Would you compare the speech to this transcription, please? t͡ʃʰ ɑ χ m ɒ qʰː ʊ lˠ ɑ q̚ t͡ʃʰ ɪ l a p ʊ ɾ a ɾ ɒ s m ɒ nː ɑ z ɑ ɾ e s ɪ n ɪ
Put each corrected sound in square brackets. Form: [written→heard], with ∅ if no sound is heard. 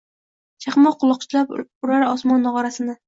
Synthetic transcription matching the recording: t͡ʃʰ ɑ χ m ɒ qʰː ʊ lˠ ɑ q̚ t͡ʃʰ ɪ l a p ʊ ɾ a ɾ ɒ s m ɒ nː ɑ [z→ʁ] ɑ ɾ [e→a] s ɪ n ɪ